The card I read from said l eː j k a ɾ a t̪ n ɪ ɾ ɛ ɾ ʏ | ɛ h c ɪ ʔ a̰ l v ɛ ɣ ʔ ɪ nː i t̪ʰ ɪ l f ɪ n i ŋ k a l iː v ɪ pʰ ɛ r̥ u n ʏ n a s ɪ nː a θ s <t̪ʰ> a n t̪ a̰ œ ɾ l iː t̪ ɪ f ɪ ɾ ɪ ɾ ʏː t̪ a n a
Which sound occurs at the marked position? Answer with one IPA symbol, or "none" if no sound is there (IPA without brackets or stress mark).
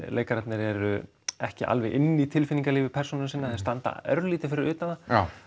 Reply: t̪